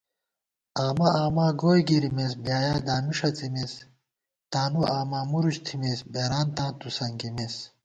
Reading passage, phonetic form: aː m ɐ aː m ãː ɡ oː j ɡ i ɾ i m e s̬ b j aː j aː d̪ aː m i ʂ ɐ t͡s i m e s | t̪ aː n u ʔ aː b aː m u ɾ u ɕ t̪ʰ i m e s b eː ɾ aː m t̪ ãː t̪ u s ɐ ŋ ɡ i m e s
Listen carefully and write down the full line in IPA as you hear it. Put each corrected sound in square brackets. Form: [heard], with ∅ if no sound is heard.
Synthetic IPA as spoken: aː m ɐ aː m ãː ɡ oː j ɡ i ɾ i m e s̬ b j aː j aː d̪ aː m i ʂ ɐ t͡s i m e s | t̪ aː n u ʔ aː [m] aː m u ɾ u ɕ t̪ʰ i m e s b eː ɾ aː [n] t̪ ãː t̪ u s ɐ ŋ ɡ i m e s